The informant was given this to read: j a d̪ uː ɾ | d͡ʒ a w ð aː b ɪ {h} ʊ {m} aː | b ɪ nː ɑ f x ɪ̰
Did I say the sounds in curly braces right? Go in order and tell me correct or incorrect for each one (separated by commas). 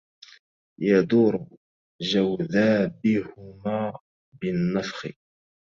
correct, correct